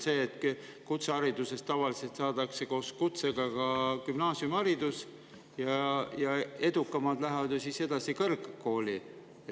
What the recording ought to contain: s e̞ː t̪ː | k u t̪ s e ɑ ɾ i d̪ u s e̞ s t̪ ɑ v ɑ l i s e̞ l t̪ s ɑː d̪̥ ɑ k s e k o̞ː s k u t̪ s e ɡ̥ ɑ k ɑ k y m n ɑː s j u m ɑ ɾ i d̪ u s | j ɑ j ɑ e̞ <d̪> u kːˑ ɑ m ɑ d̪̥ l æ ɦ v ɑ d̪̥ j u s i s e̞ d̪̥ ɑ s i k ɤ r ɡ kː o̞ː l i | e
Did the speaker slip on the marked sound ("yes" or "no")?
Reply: no